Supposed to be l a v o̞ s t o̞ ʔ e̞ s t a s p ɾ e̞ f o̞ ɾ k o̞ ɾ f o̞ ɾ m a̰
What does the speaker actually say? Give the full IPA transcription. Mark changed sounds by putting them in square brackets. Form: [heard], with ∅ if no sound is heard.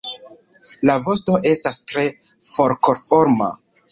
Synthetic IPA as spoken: l a v o̞ s t o̞ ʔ e̞ s t a s [t] ɾ e̞ f o̞ ɾ k o̞ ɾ f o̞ ɾ m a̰